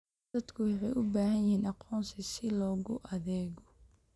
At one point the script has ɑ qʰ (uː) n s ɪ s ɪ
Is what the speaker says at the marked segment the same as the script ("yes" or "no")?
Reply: no